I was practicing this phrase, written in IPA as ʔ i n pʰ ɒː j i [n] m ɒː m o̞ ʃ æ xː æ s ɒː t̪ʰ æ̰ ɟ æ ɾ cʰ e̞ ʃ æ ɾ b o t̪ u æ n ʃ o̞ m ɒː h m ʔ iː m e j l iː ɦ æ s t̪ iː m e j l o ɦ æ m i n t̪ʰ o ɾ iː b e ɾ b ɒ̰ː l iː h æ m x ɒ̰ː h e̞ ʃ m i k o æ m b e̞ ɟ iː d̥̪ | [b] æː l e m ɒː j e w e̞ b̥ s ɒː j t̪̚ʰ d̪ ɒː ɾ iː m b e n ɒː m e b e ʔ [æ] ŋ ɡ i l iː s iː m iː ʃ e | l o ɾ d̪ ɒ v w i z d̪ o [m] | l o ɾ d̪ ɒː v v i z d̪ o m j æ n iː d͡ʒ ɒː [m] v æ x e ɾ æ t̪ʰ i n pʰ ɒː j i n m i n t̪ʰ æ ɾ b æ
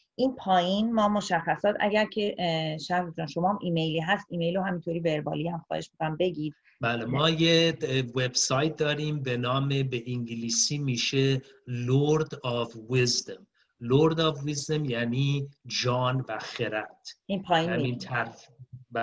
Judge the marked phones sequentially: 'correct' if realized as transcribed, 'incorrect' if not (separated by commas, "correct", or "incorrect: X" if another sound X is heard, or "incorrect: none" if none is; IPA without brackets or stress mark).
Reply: correct, correct, incorrect: i, correct, incorrect: n